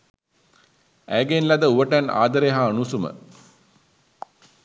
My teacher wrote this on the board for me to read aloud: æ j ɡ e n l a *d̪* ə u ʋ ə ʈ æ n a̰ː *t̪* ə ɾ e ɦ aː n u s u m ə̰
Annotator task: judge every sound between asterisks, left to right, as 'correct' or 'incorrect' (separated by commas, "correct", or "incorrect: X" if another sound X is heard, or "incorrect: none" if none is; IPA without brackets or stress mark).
correct, incorrect: d̪